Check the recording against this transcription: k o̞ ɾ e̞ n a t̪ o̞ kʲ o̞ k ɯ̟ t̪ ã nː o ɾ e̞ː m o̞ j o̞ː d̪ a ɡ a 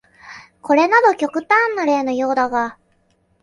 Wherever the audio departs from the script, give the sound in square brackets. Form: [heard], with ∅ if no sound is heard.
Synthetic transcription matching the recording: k o̞ ɾ e̞ n a [d̪] o̞ kʲ o̞ k ɯ̟ t̪ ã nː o ɾ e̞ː [n] o̞ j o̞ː d̪ a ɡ a